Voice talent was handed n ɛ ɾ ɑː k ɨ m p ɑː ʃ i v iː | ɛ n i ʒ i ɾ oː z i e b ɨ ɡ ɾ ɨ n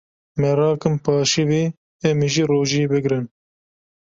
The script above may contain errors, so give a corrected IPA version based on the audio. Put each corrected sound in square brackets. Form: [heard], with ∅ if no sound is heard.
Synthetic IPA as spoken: [m] ɛ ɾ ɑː k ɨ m p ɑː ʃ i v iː | ɛ [m] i ʒ i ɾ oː [ʒ] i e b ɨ ɡ ɾ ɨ n